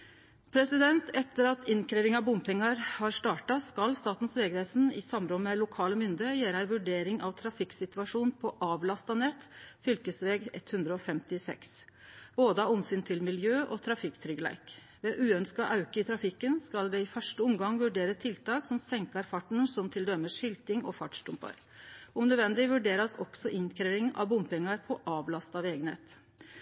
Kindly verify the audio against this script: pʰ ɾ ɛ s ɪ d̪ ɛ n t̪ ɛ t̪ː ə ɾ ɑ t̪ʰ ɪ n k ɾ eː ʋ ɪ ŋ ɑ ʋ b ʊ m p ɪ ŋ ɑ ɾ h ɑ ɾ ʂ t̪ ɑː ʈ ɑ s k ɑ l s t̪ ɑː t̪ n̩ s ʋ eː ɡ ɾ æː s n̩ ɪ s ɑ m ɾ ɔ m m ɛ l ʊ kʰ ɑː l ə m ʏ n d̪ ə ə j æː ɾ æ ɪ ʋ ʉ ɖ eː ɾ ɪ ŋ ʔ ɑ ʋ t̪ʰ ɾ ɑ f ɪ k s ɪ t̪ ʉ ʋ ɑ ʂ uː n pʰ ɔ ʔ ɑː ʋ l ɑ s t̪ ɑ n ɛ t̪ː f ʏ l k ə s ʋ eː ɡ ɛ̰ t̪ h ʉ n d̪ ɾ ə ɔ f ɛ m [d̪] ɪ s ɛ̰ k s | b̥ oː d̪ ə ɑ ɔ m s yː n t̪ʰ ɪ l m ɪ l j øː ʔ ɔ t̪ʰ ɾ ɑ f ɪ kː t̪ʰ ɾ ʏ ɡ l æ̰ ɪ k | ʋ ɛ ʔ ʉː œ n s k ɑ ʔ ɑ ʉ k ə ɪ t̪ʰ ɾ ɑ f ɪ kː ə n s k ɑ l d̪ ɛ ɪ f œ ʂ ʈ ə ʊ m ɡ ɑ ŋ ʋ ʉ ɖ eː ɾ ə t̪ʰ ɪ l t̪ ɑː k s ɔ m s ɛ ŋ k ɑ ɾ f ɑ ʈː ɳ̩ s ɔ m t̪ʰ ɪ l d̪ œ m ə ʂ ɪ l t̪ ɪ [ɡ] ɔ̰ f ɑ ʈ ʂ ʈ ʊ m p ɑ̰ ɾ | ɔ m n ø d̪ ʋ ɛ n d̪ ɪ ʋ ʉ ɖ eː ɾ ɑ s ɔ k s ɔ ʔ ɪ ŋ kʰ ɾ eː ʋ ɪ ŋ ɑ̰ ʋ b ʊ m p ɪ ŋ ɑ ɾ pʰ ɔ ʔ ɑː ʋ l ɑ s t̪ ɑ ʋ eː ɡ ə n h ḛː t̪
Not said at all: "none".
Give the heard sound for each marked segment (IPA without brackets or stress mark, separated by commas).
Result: t̪, ŋ